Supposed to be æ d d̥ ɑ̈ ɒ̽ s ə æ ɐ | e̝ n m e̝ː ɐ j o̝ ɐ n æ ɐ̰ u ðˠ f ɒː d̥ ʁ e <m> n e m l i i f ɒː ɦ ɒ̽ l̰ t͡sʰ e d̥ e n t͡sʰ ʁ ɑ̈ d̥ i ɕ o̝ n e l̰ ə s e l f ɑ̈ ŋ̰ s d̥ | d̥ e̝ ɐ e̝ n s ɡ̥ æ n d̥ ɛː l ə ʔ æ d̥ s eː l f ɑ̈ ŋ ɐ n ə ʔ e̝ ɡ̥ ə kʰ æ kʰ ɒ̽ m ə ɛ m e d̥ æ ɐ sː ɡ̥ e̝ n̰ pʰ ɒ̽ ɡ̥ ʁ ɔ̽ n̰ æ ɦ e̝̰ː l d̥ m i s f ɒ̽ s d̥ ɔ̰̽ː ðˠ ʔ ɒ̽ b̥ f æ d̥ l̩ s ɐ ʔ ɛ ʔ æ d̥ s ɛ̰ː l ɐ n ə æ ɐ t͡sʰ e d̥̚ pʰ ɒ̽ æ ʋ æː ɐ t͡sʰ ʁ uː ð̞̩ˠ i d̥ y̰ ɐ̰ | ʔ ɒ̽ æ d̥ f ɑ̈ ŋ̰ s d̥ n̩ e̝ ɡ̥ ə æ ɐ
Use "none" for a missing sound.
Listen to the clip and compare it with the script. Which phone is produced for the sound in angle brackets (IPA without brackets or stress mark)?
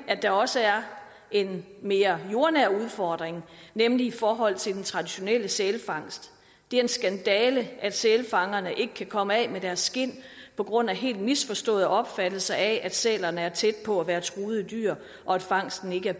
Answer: ŋ